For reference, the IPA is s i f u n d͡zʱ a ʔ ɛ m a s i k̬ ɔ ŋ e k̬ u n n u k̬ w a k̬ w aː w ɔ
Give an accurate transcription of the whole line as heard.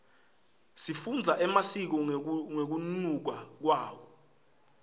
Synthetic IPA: s i f u n d͡zʱ a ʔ ɛ m a s i k̬ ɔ ŋ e k̬ u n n u k̬ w a k̬ w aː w ɔ